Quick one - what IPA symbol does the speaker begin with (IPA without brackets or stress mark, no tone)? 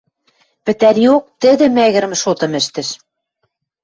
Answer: p